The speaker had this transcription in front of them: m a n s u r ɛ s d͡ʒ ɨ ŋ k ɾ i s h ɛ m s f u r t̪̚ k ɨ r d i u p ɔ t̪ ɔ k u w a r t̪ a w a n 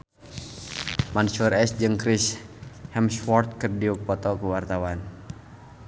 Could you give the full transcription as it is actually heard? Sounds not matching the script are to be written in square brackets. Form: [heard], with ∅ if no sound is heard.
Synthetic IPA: m a n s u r ɛ s d͡ʒ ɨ ŋ k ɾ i s h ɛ m s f [ɔ] r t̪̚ k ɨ r d i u p ɔ t̪ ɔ k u w a r t̪ a w a n

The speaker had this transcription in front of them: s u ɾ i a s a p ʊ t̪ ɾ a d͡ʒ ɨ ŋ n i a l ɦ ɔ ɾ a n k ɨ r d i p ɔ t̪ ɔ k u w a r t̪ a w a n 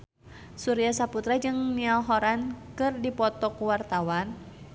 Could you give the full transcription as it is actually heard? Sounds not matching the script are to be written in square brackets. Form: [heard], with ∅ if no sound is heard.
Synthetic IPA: s u ɾ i a s a p [u] t̪ ɾ a d͡ʒ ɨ ŋ n i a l ɦ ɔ ɾ a n k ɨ r d i p ɔ t̪ ɔ k u w a r t̪ a w a n

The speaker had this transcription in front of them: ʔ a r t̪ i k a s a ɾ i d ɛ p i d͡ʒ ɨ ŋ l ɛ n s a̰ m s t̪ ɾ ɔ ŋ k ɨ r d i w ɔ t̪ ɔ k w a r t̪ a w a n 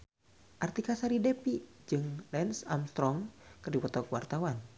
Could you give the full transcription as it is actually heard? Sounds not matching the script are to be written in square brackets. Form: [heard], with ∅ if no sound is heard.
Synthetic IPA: ʔ a r t̪ i k a s a ɾ i d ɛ p i d͡ʒ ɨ ŋ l ɛ n s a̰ m s t̪ ɾ ɔ ŋ k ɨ r d i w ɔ t̪ ɔ k w a r t̪ a w a n

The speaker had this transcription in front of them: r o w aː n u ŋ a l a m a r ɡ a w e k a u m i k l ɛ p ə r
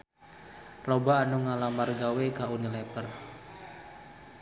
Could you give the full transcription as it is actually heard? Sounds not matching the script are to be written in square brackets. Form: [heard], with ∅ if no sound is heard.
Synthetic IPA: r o [b] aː n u ŋ a l a m a r ɡ a w e k a u [n] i [∅] l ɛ p ə r

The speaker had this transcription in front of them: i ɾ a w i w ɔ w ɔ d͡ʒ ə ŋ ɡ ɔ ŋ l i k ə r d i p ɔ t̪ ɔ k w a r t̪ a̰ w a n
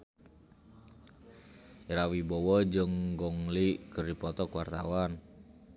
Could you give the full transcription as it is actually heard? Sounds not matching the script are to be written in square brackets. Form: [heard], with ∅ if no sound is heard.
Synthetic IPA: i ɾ a w i [b] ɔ w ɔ d͡ʒ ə ŋ ɡ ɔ ŋ l i k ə r d i p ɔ t̪ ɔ k w a r t̪ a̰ w a n

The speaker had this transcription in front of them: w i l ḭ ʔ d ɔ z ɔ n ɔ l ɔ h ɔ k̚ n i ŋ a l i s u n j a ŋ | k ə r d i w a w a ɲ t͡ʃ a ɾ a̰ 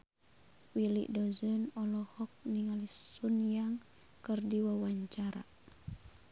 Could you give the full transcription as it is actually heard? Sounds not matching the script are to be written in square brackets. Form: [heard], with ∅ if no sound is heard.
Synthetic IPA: w i l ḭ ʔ d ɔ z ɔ n ɔ l ɔ h ɔ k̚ n i ŋ a l i s u n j a ŋ | k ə r d i w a w a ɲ t͡ʃ a ɾ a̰

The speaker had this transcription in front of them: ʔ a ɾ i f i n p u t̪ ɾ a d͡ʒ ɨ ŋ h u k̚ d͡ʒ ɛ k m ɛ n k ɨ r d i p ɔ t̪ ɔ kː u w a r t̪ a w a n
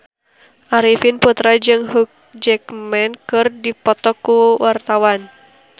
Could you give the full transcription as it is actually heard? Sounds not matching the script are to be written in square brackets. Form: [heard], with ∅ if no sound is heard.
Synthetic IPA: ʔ a ɾ i f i n p u t̪ ɾ a d͡ʒ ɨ ŋ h u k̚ d͡ʒ ɛ k m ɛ n k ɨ r d i p ɔ t̪ ɔ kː u w a r t̪ a w a n

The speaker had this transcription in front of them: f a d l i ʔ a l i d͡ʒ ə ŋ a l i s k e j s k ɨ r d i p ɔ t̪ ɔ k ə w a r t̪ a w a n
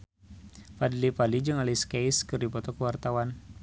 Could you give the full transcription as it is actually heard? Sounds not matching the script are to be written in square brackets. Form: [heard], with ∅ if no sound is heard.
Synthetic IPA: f a d l i [p] a l i d͡ʒ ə ŋ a l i s k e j s k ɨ r d i p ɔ t̪ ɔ k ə w a r t̪ a w a n

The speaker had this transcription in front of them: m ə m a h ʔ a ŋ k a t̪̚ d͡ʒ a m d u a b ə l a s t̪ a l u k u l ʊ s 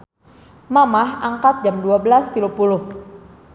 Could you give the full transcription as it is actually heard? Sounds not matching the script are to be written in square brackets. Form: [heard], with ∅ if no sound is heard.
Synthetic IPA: m [a] m a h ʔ a ŋ k a t̪̚ d͡ʒ a m d u a b ə l a s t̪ [i] l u [p] u l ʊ [h]

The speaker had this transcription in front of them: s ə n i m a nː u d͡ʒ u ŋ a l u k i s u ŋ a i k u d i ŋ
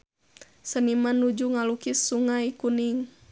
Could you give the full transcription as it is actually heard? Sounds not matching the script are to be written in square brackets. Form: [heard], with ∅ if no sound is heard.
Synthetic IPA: s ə n i m a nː u d͡ʒ u ŋ a l u k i s u ŋ a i k u [n] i ŋ

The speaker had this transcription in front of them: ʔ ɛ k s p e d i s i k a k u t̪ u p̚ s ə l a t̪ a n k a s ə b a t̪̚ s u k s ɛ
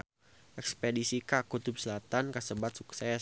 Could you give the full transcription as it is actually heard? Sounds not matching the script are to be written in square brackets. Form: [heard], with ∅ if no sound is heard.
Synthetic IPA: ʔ ɛ k s p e d i s i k a k u t̪ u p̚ s ə l a t̪ a n k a s ə b a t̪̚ s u k s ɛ

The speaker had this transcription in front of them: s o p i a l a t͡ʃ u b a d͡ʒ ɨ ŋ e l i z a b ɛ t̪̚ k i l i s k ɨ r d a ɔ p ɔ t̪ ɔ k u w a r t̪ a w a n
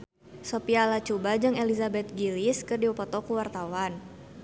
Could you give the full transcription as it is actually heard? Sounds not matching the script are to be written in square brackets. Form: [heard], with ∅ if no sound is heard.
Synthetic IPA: s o p i a l a t͡ʃ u b a d͡ʒ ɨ ŋ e l i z a b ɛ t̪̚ [ɡ] i l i s k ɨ r d [i] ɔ p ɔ t̪ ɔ k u w a r t̪ a w a n

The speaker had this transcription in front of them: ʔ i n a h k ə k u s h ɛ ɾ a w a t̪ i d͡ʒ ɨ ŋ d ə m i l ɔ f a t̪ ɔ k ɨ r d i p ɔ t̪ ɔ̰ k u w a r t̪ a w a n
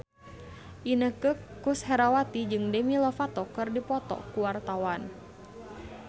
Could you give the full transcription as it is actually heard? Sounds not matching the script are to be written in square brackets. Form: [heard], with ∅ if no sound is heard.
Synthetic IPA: ʔ i n [ə] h k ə k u s h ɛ ɾ a w a t̪ i d͡ʒ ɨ ŋ d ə m i l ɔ f a t̪ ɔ k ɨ r d i p ɔ t̪ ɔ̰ k u w a r t̪ a w a n

